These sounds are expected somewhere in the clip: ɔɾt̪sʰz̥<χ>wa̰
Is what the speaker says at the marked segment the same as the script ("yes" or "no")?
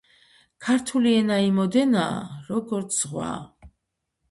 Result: no